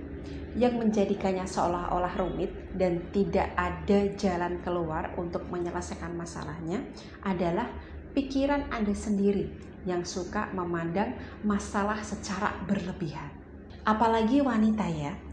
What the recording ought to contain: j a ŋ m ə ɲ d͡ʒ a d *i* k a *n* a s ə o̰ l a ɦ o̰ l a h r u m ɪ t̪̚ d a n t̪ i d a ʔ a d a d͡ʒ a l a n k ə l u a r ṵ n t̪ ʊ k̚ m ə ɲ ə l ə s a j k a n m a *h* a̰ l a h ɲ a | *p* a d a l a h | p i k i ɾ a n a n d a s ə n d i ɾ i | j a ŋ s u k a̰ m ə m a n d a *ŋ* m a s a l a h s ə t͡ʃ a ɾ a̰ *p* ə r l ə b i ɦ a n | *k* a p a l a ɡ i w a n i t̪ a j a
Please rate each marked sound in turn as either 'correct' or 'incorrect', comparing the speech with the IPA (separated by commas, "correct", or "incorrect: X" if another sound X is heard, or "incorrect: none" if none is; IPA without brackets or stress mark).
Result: correct, incorrect: ɲ, incorrect: s, incorrect: ʔ, correct, incorrect: b, incorrect: ʔ